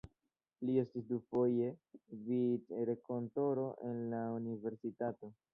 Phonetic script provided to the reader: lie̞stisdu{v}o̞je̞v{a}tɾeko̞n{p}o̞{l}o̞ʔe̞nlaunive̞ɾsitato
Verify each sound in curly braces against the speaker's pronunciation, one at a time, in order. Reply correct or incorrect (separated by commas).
incorrect, incorrect, incorrect, incorrect